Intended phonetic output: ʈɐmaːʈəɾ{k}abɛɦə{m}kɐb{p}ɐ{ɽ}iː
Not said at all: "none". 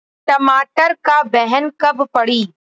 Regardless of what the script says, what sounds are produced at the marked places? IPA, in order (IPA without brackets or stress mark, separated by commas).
k, n, p, ɽ